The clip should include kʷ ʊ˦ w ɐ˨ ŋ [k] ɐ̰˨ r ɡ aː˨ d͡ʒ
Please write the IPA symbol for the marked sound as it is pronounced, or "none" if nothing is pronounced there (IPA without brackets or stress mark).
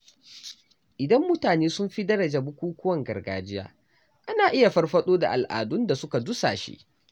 ɡ